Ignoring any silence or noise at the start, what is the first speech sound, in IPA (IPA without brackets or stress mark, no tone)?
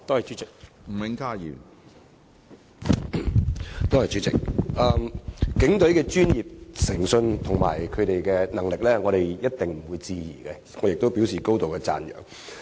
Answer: t̪